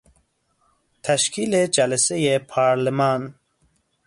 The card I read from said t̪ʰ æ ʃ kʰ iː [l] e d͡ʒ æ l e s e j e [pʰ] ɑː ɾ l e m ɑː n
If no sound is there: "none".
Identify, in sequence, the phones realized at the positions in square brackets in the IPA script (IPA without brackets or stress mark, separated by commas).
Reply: l, pʰ